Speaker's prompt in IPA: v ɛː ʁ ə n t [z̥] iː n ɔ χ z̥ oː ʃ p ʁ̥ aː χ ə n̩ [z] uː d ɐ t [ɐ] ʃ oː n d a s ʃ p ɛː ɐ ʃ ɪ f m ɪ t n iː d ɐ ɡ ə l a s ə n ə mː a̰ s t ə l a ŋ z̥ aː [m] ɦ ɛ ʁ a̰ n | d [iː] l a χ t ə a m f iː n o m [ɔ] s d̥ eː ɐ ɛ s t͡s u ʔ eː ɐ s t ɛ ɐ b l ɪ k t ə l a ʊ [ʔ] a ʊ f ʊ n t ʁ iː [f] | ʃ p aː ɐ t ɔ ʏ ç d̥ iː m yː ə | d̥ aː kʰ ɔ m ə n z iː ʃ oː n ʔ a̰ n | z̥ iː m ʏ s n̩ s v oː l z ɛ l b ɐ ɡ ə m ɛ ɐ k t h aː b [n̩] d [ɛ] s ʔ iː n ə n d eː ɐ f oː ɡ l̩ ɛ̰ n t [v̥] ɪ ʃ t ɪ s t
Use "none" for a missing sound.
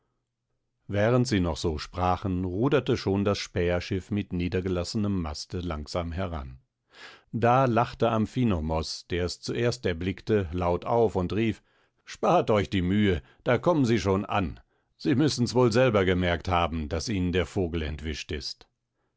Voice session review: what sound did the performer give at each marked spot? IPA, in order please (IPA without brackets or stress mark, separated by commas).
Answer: z̥, ʁ, ə, m, aː, ɔ, t, f, m̩, a, v̥